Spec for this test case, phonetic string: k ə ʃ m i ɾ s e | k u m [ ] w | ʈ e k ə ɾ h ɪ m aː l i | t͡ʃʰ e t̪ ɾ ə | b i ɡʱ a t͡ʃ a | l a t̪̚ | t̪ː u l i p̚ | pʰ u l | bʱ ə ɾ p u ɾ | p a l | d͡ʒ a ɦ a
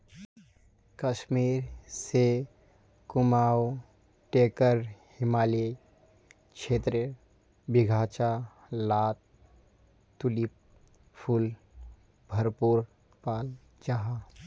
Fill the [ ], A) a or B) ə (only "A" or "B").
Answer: A